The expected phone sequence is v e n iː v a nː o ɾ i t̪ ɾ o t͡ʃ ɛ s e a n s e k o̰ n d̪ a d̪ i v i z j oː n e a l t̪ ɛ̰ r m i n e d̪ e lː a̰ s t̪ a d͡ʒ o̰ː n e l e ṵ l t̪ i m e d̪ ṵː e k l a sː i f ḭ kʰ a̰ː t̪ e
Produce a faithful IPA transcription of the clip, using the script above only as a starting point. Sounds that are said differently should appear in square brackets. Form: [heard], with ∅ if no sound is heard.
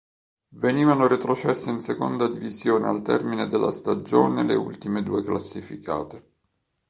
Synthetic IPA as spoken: v e n iː v a [n] o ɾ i t̪ ɾ o t͡ʃ ɛ [sː] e [i] n s e k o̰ n d̪ a d̪ i v i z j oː n e a l t̪ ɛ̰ r m i n e d̪ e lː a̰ s t̪ a d͡ʒ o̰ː n e l e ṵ l t̪ i m e d̪ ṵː e k l a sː i f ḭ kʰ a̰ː t̪ e

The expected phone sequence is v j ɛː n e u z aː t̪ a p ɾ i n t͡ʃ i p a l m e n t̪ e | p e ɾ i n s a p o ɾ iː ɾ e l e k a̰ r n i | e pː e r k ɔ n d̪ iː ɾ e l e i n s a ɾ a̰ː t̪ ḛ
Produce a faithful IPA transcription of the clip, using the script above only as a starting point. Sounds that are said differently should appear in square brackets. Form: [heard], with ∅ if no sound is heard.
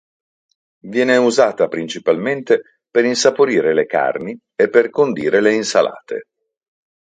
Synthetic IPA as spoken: v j ɛː n e u z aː t̪ a p ɾ i n t͡ʃ i p a l m e n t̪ e | p e ɾ i n s a p o ɾ iː ɾ e l e k a̰ r n i | e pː e r k [o] n d̪ iː ɾ e l e i n s a [l] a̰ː t̪ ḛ

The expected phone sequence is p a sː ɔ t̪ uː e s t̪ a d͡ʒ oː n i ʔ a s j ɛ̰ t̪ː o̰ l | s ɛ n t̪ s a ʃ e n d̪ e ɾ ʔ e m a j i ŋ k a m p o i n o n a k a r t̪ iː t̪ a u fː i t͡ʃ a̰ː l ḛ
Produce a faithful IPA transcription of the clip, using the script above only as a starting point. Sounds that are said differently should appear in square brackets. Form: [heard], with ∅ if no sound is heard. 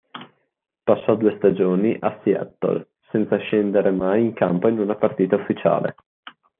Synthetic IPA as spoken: p a sː ɔ [d̪] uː e s t̪ a d͡ʒ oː n i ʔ a s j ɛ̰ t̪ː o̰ l | s ɛ n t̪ s a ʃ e n d̪ e ɾ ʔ e m a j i ŋ k a m p o i n [u] n a [p] a r t̪ iː t̪ a u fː i t͡ʃ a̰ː l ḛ

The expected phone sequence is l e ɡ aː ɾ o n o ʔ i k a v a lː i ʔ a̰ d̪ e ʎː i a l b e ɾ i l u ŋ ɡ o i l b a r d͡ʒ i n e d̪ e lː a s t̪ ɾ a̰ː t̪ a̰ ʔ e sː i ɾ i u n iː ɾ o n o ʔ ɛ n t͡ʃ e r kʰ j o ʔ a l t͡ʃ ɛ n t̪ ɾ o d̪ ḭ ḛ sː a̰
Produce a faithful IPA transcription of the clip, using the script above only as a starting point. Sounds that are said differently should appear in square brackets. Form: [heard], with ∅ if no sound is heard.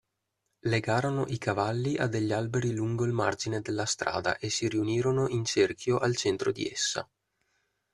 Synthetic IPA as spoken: l e ɡ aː ɾ o n o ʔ i k a v a lː i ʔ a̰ d̪ e ʎː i a l b e ɾ i l u ŋ ɡ o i l [m] a r d͡ʒ i n e d̪ e lː a s t̪ ɾ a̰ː [d̪] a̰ ʔ e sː i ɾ i u n iː ɾ o n o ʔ [i] n t͡ʃ e r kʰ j o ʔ a l t͡ʃ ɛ n t̪ ɾ o d̪ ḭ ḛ sː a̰

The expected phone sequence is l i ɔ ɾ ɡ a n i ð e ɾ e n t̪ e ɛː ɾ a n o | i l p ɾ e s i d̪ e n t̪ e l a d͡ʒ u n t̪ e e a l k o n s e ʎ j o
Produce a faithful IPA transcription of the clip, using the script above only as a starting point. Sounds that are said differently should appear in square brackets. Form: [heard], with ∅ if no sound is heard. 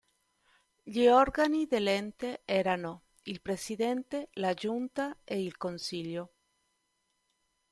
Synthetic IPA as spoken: [ʎ] i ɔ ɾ ɡ a n i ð e [l] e n t̪ e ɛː ɾ a n o | i l p ɾ e s i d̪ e n t̪ e l a d͡ʒ u n t̪ [a] e [i] l k o n s [i] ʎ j o

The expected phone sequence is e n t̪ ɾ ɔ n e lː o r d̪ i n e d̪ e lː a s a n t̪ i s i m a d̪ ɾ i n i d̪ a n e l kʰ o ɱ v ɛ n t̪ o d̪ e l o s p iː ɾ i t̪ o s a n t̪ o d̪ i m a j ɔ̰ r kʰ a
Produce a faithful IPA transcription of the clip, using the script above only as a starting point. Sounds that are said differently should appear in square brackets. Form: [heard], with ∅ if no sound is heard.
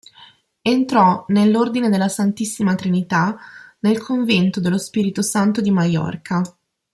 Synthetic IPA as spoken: e n t̪ ɾ ɔ n e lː o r d̪ i n e d̪ e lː a s a n t̪ i [sː] i m a [t̪] ɾ i n i [t̪] a n e l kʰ o ɱ v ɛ n t̪ o d̪ e l o s p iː ɾ i t̪ o s a n t̪ o d̪ i m a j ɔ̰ r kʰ a

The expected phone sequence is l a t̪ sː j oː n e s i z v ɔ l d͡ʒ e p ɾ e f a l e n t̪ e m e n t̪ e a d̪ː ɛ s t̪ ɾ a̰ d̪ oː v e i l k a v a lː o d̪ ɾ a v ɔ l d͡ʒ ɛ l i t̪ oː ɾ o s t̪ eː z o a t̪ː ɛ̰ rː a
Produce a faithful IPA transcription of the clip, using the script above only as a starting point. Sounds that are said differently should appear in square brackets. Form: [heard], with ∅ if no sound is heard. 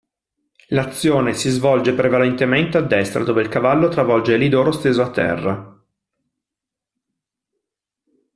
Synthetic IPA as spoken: l a t̪ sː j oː n e s i z v ɔ l d͡ʒ e p ɾ e [v] a l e n t̪ e m e n t̪ e a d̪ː ɛ s t̪ ɾ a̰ d̪ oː v e i l k a v a lː o [t̪] ɾ a v ɔ l d͡ʒ [e] l i [d̪] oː ɾ o s t̪ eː z o a t̪ː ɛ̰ rː a

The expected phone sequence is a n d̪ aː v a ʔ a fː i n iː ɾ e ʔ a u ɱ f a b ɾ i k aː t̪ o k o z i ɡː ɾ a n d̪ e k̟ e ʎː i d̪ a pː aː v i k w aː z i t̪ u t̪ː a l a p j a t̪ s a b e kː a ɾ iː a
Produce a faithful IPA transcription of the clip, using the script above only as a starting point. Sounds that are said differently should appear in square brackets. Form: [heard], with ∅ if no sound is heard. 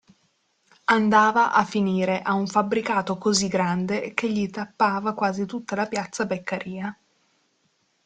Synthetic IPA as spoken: a n d̪ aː v a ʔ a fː i n iː ɾ e ʔ a u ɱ f a b ɾ i k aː t̪ o k o z i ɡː ɾ a n d̪ e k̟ e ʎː i [t̪] a pː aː v [a] k w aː z i t̪ u t̪ː a l a p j a t̪ s a b e kː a ɾ iː a

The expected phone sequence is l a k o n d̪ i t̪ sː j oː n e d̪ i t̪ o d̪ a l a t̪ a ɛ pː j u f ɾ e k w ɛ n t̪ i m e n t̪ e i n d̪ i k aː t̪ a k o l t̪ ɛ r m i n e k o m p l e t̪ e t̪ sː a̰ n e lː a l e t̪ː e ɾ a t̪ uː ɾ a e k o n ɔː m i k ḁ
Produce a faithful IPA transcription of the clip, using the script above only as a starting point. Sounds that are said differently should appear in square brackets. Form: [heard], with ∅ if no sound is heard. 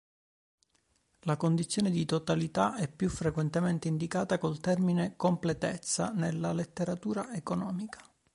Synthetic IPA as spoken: l a k o n d̪ i t̪ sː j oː n e d̪ i t̪ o [t̪] a l [i] t̪ a ɛ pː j u f ɾ e k w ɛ n t̪ [e] m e n t̪ e i n d̪ i k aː t̪ a k o l t̪ ɛ r m i n e k o m p l e t̪ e t̪ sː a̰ n e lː a l e t̪ː e ɾ a t̪ uː ɾ a e k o n ɔː m i k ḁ

